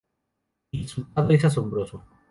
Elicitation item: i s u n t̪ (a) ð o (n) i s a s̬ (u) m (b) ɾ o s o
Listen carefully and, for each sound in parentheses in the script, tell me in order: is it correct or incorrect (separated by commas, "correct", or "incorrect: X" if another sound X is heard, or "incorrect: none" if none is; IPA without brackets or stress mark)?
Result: correct, incorrect: none, incorrect: o, correct